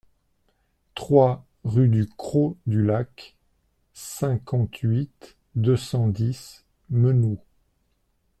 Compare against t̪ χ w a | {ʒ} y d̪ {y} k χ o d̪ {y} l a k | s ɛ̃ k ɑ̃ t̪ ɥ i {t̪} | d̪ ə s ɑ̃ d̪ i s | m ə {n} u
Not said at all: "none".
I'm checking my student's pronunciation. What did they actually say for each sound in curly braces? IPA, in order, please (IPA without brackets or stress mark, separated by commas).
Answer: ʁ, y, y, t̪, n